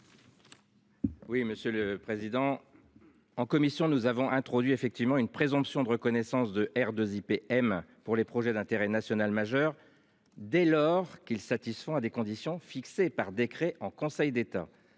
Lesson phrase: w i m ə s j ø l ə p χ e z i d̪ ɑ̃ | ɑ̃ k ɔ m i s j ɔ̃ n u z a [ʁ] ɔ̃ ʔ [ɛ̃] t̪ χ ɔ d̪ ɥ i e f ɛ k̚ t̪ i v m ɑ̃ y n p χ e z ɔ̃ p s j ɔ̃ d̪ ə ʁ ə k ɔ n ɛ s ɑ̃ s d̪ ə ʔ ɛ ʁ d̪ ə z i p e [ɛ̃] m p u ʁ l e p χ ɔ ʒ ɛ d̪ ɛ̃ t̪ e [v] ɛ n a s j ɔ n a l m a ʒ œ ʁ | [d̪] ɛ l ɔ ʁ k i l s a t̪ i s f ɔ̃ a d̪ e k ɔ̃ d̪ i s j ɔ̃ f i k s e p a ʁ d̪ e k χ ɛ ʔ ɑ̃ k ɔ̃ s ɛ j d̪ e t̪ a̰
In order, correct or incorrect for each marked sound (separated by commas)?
incorrect, correct, incorrect, incorrect, correct